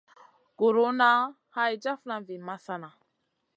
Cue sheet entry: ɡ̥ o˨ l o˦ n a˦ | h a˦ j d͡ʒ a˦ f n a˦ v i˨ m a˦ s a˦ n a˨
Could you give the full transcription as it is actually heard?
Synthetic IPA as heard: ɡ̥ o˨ ɾ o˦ n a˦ | h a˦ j d͡ʒ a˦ f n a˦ v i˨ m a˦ s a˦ n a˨

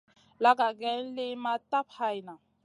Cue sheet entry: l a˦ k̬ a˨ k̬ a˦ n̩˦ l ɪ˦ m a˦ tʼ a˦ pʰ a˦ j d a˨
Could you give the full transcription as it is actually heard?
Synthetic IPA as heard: l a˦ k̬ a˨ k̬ ɛ˦ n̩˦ l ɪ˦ m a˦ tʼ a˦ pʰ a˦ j n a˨

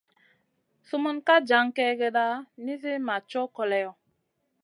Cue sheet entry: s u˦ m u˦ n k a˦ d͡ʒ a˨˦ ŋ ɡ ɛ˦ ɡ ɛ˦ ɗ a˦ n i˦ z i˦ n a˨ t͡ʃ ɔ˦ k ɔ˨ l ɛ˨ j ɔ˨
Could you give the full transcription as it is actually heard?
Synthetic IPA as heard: s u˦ m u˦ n k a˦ d͡ʒ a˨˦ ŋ k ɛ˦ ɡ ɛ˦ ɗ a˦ n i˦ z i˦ m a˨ t͡ʃ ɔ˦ k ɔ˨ l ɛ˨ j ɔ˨

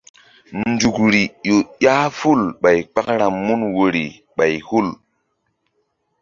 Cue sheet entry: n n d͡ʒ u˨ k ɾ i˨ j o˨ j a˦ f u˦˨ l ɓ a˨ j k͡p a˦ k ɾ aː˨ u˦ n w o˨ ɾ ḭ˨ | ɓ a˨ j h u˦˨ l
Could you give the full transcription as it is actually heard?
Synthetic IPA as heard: n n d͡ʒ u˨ k ɾ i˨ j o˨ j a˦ f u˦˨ l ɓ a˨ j k͡p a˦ k ɾ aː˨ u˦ n w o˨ ɾ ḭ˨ | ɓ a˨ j h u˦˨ l

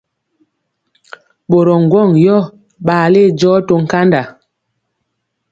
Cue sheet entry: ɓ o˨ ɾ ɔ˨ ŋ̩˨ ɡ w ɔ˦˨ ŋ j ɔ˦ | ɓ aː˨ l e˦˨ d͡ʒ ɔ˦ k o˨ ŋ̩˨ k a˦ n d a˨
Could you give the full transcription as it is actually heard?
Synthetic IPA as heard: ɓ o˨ ɾ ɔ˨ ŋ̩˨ ɡ w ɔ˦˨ ŋ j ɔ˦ | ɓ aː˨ l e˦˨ d͡ʒ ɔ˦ t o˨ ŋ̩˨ k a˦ n d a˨

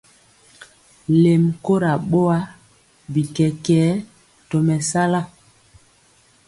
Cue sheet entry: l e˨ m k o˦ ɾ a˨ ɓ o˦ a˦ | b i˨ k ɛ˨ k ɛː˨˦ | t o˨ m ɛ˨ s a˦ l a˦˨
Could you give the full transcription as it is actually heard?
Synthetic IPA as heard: l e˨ m k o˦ ɾ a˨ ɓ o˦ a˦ | b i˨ k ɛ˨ k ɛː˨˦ | t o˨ m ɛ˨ s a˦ l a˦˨

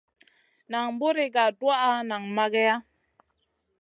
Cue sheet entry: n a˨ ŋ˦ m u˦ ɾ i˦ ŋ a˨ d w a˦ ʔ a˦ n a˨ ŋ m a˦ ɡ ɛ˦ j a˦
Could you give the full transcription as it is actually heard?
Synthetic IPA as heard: n a˨ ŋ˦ b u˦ ɾ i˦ ɡ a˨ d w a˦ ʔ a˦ n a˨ ŋ m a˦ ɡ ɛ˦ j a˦

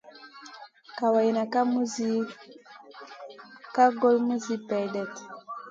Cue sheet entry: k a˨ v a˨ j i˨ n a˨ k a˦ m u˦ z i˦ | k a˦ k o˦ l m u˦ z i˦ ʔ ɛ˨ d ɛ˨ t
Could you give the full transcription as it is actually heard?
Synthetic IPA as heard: k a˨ w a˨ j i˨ n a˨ k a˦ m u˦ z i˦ | k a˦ ɡ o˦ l m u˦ z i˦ p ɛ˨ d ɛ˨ t

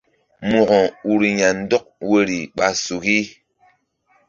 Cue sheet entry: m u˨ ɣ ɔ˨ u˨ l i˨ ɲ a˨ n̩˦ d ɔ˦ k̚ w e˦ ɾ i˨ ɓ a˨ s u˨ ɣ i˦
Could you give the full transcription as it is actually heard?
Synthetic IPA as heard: m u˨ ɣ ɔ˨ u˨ ɾ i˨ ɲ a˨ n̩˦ d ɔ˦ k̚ w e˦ ɾ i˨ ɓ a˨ s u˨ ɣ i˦

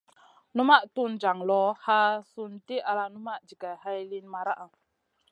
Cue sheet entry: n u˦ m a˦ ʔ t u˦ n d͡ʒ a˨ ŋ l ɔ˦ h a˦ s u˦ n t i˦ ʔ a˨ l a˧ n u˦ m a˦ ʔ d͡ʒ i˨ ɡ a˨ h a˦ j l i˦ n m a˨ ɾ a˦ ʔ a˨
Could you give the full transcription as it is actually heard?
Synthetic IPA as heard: n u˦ m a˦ ʔ t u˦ n d͡ʒ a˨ ŋ l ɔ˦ h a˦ s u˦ n t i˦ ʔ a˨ l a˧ n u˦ m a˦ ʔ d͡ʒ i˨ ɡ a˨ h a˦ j l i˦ n m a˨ ɾ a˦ ʔ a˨

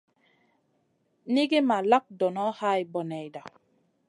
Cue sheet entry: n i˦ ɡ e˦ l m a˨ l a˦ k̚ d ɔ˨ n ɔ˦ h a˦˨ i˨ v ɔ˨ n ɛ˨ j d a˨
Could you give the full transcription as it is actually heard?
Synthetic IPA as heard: n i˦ ɡ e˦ m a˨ l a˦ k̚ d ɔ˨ n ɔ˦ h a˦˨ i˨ b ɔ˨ n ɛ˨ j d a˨

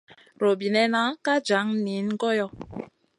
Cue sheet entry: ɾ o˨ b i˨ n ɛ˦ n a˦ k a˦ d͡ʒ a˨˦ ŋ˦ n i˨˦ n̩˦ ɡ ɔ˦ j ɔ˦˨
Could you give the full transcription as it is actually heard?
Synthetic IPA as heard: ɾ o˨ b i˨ n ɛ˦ n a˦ k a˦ d͡ʒ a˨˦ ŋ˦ n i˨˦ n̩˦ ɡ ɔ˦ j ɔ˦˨

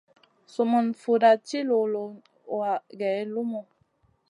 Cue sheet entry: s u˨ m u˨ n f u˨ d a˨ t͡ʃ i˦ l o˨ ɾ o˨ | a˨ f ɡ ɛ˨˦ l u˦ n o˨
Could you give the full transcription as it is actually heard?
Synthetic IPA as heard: s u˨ m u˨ n f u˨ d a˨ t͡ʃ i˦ l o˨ l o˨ | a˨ ɡ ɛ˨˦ l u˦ m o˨

